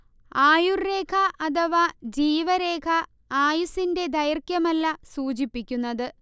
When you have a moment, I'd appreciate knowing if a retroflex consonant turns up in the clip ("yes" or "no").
no